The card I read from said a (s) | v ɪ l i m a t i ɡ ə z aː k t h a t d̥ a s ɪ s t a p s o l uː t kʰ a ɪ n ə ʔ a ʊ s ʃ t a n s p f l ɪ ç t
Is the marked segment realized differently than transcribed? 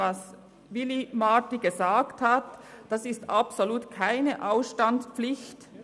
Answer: no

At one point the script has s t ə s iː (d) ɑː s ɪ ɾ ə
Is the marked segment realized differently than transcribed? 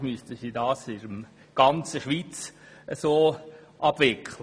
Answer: no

